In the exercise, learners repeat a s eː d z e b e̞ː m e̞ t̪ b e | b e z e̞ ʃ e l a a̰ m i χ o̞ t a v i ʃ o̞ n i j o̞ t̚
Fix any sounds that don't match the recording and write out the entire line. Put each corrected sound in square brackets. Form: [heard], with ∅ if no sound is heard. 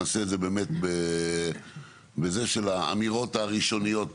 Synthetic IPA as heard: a s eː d z e b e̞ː m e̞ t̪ b e | b e z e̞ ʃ e l a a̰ m i [ʁ] o̞ t a [ʁ] i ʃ o̞ n i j o̞ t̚